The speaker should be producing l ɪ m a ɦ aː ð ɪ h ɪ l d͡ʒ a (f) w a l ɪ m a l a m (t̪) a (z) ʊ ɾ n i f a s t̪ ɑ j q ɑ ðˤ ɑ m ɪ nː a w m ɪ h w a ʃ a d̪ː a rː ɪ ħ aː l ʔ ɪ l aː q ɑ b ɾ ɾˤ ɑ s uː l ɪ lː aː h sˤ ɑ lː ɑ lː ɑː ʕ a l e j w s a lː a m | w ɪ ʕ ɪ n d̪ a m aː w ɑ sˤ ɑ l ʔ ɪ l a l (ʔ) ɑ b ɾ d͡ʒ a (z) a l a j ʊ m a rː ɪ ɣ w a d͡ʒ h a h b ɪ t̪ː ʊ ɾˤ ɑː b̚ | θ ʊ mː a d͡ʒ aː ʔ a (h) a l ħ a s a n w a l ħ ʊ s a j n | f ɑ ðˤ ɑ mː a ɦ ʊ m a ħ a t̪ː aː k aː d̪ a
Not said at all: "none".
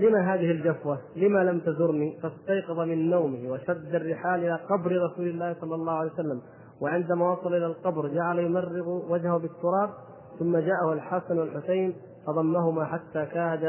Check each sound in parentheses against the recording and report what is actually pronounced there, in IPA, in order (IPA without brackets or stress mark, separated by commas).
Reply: f, t̪, z, q, ʕ, h